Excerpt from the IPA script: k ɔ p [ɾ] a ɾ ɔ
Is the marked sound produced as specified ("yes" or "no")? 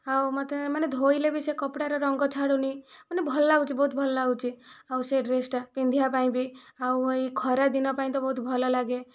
no